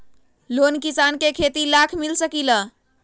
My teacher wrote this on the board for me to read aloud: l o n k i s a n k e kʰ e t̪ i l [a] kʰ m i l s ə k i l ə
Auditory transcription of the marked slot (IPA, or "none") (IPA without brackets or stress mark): a